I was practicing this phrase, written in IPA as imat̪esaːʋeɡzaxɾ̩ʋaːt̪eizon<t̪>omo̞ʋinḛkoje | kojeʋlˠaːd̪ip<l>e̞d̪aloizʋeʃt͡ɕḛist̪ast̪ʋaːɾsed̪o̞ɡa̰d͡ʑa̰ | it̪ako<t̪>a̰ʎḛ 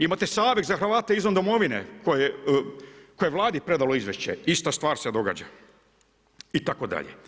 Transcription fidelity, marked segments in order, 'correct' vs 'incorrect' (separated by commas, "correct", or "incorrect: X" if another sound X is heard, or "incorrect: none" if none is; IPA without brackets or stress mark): incorrect: d̪, incorrect: ɾ, incorrect: d̪